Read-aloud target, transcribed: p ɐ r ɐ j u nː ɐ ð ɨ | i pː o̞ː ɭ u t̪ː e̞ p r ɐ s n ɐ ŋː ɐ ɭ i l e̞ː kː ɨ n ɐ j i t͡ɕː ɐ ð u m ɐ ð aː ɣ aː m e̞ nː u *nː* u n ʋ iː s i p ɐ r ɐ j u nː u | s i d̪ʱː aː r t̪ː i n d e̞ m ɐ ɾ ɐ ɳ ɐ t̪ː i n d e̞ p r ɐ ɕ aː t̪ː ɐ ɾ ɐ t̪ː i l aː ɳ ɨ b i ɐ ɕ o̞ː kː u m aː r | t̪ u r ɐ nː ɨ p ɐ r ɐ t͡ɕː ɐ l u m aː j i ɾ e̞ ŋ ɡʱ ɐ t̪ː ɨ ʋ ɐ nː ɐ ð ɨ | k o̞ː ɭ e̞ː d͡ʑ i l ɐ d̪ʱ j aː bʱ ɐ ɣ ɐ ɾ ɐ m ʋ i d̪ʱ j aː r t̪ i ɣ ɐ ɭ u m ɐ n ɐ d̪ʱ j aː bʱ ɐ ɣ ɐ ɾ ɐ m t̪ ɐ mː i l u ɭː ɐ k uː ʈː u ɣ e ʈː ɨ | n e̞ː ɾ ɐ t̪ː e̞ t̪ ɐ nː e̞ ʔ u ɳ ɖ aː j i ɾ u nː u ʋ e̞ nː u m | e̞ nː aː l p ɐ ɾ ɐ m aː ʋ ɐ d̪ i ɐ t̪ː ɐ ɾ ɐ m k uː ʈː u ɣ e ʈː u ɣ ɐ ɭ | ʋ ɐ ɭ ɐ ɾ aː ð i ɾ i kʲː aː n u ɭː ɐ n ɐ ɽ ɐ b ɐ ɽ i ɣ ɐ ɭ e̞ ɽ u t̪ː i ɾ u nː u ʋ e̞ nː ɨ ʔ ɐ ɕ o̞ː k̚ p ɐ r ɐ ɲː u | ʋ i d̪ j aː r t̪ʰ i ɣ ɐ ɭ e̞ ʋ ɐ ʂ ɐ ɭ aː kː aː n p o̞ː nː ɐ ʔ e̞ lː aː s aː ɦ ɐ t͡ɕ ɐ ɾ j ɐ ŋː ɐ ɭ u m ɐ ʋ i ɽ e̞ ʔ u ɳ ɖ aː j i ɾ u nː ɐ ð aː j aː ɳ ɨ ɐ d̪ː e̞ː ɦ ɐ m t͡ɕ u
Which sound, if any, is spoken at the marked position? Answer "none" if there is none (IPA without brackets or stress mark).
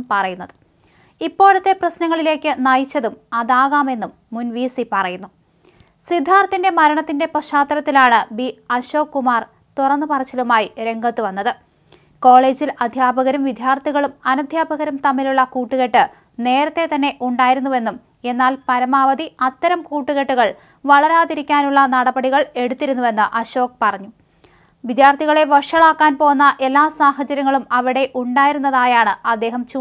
mː